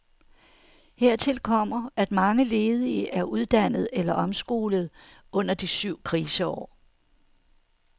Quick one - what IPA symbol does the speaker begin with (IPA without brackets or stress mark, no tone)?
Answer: h